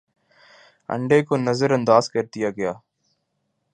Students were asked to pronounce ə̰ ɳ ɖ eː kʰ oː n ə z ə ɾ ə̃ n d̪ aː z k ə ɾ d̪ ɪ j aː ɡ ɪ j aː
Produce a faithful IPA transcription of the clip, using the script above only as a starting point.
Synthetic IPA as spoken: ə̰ ɳ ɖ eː k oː n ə z ə ɾ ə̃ n d̪ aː z k ə ɾ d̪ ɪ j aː ɡ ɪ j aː